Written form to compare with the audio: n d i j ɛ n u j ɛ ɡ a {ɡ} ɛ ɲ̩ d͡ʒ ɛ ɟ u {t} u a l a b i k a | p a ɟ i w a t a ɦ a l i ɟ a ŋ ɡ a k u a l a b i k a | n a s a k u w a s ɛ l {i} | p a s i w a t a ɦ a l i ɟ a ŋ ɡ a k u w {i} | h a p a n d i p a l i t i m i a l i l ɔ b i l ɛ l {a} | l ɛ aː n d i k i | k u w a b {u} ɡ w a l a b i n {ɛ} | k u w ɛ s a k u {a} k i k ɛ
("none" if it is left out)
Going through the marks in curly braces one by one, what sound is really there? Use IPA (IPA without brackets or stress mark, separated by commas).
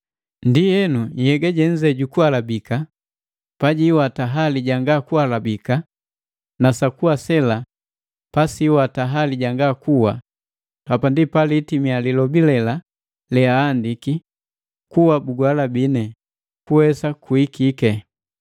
ɟ, k, a, a, a, u, ɛ, i